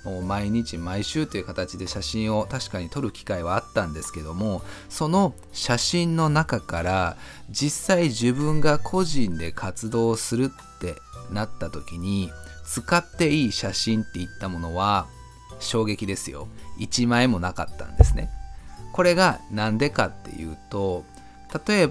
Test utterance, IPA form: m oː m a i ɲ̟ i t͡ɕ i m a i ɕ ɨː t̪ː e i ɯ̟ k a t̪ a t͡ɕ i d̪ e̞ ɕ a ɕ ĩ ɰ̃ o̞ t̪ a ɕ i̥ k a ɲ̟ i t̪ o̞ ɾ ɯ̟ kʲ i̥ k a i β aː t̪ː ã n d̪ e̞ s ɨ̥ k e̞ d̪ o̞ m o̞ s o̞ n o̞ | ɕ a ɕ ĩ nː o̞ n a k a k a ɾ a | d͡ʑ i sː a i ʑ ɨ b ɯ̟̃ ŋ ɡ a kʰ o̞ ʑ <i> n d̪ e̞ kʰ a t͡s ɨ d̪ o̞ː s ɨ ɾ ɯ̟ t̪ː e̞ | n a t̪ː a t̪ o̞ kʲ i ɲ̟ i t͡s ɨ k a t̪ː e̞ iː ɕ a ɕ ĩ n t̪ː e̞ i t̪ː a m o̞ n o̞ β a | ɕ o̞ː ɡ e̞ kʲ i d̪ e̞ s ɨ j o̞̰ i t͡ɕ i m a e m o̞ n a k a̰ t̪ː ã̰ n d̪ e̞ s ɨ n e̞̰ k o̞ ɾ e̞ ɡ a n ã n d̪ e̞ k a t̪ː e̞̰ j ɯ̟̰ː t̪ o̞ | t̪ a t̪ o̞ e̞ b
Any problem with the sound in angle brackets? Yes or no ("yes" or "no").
yes